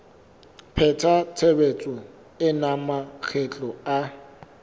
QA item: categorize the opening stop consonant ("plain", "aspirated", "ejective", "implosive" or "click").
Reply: aspirated